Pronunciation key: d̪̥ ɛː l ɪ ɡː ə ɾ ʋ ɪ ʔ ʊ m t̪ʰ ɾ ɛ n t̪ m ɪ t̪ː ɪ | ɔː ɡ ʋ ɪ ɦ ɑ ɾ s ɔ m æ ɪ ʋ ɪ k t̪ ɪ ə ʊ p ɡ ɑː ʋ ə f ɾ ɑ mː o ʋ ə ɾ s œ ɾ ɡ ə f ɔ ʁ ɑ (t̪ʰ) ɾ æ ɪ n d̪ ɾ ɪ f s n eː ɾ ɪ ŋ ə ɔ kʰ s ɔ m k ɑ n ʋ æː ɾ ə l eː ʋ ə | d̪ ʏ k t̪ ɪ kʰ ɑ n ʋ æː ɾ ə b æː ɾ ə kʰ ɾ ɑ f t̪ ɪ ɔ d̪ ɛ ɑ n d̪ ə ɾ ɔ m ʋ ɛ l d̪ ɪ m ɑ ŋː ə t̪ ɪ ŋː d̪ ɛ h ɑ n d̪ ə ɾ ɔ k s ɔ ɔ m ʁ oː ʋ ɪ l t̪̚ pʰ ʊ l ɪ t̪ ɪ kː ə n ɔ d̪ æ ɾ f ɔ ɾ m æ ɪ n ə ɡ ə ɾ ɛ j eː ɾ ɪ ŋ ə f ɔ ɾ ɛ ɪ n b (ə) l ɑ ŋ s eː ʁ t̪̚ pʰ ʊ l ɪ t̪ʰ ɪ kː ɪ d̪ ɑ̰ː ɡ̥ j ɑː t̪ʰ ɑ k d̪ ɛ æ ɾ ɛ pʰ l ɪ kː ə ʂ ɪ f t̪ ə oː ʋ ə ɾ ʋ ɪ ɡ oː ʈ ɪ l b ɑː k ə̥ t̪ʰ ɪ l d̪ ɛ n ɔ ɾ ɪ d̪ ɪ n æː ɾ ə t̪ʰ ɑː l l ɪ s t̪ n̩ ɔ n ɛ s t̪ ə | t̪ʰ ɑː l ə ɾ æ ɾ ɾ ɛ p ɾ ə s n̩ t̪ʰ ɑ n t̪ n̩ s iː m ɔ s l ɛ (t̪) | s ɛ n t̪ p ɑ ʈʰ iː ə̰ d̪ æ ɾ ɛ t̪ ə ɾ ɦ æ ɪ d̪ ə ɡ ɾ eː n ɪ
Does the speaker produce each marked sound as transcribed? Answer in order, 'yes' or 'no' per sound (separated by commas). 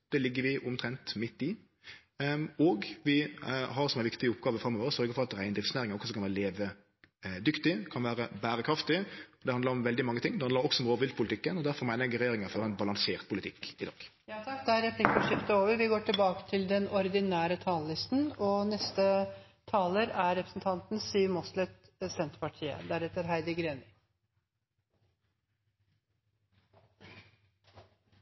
no, no, yes